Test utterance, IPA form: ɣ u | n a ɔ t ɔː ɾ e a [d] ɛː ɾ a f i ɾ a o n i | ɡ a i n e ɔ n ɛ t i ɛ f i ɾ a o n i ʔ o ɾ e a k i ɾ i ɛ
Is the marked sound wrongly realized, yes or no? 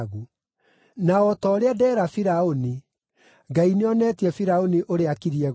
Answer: no